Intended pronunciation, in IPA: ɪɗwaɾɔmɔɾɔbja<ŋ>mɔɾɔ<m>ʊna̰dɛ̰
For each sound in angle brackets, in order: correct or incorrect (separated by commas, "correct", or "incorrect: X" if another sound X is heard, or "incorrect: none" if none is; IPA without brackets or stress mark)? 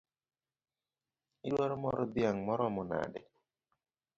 correct, correct